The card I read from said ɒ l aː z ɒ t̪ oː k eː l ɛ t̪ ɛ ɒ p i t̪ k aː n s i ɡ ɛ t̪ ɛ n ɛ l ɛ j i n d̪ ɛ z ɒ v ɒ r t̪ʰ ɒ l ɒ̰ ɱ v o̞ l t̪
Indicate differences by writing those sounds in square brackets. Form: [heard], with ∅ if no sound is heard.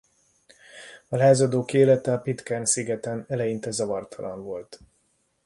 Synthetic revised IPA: ɒ l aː z ɒ [d̪] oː k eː l ɛ t̪ ɛ ɒ p i t̪ k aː n s i ɡ ɛ t̪ ɛ n ɛ l ɛ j i n [t̪] ɛ z ɒ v ɒ r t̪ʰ ɒ l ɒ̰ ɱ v o̞ l t̪